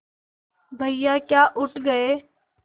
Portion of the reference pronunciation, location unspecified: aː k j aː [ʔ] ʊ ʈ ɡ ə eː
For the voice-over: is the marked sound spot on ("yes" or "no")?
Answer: yes